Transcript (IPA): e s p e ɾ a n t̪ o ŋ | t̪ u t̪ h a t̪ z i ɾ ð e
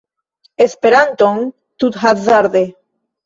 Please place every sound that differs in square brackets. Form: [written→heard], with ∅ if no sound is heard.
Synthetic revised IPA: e s p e ɾ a n t̪ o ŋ | t̪ u t̪ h a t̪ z [i→a] ɾ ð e